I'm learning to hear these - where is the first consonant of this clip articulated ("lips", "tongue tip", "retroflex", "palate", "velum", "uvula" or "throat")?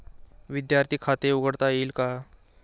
lips